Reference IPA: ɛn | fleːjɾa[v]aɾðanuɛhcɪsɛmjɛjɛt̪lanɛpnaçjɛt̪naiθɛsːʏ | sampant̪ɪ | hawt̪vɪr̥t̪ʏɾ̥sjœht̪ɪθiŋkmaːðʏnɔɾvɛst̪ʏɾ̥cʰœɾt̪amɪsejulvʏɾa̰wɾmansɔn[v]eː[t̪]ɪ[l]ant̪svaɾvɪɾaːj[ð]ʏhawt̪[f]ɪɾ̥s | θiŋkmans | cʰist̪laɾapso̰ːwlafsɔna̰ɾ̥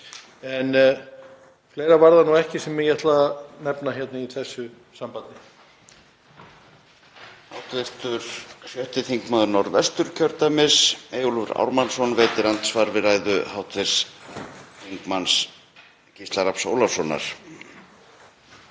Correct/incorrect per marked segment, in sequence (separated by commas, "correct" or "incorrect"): correct, correct, correct, incorrect, correct, incorrect